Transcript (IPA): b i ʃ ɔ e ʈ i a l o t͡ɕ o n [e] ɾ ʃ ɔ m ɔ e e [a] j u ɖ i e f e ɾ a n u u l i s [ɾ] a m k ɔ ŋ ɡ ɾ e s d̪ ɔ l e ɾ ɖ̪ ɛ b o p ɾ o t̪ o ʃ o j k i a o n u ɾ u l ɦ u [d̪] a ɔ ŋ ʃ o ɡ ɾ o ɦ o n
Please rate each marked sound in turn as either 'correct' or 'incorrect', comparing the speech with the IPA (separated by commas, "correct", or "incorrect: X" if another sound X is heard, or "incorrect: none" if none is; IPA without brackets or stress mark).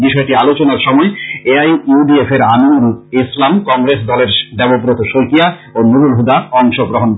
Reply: incorrect: a, correct, incorrect: l, correct